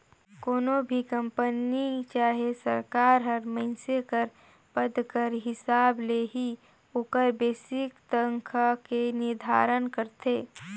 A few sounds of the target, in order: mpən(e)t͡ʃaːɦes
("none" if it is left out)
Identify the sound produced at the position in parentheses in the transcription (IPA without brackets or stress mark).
i